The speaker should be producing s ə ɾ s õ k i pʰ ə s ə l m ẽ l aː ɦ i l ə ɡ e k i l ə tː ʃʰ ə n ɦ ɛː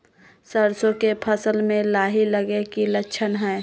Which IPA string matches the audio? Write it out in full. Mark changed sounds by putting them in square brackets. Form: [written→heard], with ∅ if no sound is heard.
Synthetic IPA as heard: s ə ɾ s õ k [i→e] pʰ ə s ə l m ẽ l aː ɦ i l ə ɡ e k i l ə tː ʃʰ ə n ɦ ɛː